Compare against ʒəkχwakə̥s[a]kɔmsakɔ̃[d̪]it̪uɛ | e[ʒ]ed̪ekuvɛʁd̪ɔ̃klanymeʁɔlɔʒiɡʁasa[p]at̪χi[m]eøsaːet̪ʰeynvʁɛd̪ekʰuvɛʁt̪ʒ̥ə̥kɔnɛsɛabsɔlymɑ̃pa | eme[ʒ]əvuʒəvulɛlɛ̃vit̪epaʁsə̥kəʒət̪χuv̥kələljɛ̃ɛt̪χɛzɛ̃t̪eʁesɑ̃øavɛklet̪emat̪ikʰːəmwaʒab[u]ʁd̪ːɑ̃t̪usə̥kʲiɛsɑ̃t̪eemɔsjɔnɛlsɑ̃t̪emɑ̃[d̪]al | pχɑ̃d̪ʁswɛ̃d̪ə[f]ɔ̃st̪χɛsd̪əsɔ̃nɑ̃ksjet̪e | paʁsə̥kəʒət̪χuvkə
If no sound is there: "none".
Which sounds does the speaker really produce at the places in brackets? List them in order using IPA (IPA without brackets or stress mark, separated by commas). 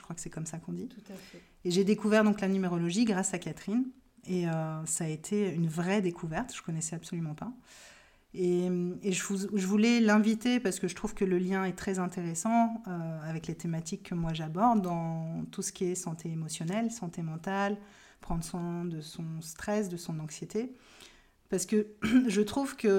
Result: ɛ, d̪, ʒ, k, n, ʒ, ɔ, t̪, s